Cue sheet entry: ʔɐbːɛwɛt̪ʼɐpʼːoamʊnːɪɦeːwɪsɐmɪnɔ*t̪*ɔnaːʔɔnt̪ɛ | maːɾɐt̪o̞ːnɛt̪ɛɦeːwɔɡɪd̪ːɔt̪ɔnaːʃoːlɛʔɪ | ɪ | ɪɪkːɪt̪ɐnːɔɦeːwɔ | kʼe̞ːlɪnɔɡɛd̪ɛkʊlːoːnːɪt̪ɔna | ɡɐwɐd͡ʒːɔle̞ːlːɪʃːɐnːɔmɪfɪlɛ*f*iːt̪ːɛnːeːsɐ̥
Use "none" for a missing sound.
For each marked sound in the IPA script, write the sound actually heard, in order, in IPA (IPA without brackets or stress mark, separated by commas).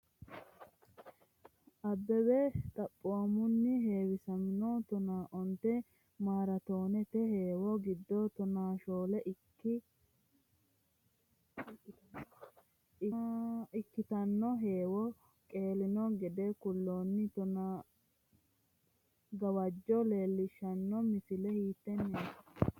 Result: t̪, h